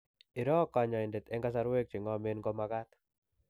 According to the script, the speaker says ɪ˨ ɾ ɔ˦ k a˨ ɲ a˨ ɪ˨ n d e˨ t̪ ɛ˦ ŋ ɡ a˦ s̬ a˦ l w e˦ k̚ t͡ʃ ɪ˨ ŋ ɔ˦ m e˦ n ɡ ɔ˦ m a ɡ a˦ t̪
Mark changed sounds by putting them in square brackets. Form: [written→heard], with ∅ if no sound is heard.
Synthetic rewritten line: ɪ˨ ɾ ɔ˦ k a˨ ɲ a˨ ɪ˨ n d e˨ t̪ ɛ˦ ŋ ɡ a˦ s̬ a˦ [l→ɾ] w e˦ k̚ t͡ʃ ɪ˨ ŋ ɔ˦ m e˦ n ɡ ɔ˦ m a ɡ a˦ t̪